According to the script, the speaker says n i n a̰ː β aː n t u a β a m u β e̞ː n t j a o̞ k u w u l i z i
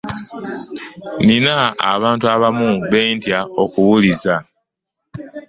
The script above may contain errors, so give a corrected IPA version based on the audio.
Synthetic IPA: n i n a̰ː β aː n t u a β a m u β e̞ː n t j a o̞ k u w u l i z a